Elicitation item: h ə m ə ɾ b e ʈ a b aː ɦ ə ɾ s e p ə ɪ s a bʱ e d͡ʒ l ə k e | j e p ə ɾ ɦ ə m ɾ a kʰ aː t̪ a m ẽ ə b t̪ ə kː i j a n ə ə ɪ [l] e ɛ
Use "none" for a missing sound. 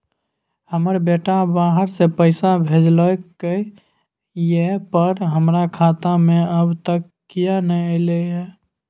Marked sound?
l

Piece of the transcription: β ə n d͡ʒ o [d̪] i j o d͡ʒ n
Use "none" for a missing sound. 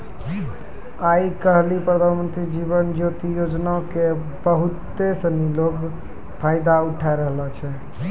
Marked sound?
t̪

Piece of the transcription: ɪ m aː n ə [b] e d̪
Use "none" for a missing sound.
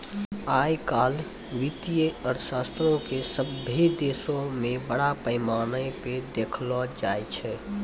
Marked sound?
p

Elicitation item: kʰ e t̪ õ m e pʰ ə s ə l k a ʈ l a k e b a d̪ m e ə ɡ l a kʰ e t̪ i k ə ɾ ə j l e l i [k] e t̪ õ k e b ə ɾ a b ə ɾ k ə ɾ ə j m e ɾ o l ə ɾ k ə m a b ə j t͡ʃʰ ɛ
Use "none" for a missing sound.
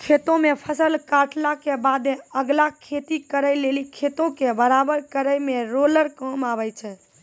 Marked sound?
kʰ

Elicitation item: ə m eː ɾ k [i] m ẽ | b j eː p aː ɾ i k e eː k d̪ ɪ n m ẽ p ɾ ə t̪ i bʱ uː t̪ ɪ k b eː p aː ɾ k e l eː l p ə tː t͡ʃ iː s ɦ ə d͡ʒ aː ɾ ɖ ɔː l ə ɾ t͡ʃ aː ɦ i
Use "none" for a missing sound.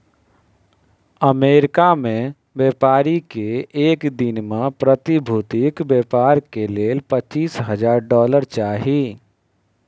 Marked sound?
a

